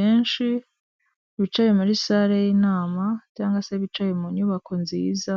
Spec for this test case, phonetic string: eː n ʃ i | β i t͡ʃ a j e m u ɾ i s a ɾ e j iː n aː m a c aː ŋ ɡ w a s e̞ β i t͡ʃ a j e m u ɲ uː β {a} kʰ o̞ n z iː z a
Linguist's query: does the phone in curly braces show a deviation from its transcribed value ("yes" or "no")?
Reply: no